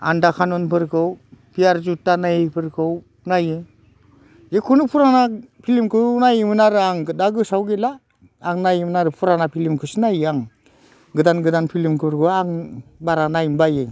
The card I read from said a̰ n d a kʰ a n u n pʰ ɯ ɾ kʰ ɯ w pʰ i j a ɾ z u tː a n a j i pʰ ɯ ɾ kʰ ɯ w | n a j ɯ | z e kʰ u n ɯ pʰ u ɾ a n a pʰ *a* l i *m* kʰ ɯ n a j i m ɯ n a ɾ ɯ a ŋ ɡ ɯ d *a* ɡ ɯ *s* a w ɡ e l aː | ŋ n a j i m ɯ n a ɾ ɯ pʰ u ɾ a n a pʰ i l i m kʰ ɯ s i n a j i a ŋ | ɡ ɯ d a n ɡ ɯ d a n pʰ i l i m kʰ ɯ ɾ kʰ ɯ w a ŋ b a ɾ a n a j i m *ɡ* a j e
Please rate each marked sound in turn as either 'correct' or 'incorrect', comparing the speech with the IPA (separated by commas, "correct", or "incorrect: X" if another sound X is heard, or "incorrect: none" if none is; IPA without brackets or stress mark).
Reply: incorrect: i, correct, correct, correct, incorrect: b